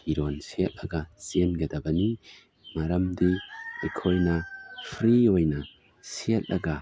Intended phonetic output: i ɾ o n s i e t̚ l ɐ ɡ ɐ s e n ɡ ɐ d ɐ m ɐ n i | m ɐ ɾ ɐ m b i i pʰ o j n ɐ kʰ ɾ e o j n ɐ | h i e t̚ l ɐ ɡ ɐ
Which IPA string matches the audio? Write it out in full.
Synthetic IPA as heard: i ɾ o n s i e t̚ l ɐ ɡ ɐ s e n ɡ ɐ d ɐ b ɐ n i | m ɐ ɾ ɐ m d i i kʰ o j n ɐ pʰ ɾ i o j n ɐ | s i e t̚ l ɐ ɡ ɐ